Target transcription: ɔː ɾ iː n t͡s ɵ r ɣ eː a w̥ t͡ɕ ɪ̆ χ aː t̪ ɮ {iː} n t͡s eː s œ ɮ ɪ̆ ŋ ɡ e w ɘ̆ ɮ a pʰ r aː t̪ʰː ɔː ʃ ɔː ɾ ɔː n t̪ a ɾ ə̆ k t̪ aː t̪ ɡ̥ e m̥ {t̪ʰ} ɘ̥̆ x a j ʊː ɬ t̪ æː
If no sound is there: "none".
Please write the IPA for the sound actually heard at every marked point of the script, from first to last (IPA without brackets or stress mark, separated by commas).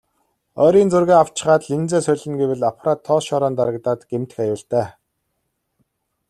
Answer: i, t̪